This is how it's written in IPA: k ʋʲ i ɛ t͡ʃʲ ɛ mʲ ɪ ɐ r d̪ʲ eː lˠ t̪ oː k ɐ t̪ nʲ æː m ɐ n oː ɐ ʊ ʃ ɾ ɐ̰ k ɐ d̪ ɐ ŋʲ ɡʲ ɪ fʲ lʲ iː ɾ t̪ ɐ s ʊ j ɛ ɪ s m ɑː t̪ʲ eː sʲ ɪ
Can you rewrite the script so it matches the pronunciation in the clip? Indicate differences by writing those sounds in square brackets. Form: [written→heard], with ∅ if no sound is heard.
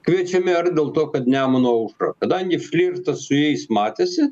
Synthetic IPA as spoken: k ʋʲ i ɛ t͡ʃʲ ɛ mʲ ɪ ɐ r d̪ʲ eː lˠ t̪ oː k ɐ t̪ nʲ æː m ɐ n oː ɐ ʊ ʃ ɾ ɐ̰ k ɐ d̪ ɐ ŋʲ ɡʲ ɪ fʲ lʲ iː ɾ t̪ ɐ s ʊ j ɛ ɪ s m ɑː t̪ʲ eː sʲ ɪ